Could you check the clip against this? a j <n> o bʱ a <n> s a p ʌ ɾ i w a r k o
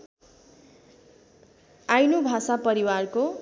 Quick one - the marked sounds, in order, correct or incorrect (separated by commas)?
correct, incorrect